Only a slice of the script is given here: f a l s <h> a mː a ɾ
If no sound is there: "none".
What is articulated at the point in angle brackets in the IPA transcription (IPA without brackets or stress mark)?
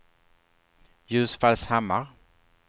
h